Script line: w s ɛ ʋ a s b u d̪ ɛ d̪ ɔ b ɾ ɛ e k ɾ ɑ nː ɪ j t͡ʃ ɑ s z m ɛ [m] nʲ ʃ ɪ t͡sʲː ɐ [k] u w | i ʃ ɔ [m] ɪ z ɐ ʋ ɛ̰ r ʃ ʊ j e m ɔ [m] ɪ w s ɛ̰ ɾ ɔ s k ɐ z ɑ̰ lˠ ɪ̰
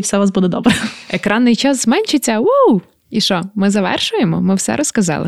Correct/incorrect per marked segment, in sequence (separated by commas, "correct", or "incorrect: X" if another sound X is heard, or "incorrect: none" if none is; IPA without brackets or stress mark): incorrect: none, incorrect: none, correct, correct